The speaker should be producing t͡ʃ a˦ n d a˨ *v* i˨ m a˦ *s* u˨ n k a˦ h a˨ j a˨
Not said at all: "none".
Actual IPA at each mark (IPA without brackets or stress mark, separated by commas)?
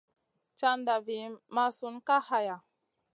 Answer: v, s